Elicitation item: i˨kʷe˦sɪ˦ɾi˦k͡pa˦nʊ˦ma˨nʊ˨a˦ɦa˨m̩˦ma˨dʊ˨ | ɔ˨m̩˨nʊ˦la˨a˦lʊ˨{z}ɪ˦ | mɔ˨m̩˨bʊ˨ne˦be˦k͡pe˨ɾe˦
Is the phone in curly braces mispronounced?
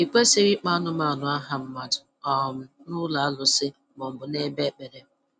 yes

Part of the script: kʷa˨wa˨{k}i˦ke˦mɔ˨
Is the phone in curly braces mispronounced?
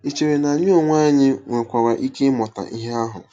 yes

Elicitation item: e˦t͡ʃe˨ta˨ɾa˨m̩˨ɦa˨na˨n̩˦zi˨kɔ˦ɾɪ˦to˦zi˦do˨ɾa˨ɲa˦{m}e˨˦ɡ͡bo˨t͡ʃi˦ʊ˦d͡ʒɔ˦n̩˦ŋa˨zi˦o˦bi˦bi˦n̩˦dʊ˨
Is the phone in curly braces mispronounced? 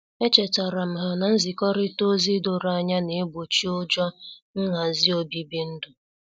yes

